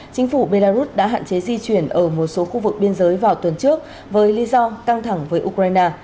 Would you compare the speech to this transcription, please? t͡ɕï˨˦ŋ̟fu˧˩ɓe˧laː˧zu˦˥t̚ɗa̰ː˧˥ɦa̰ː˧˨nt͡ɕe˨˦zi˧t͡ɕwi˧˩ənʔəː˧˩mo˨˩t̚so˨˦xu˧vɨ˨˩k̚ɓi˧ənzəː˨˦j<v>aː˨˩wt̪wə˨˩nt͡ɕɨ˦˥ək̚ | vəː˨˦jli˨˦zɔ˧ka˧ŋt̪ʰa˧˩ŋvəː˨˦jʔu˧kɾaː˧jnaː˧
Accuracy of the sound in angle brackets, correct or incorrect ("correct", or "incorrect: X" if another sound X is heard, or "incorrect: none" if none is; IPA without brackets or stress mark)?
correct